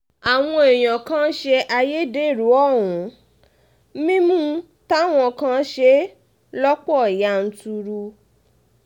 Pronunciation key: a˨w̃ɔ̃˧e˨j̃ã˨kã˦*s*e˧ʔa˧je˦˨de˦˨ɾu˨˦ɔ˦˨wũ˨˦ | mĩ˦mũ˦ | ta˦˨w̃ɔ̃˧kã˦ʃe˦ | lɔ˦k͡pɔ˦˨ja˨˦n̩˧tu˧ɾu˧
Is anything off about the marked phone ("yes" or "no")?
yes